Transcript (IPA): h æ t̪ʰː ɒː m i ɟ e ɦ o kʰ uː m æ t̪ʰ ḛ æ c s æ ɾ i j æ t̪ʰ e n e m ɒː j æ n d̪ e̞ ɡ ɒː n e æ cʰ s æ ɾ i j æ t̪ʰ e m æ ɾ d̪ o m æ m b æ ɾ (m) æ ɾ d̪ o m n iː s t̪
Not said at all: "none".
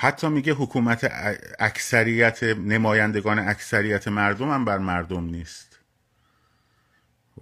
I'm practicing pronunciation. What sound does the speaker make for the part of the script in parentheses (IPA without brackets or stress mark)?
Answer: m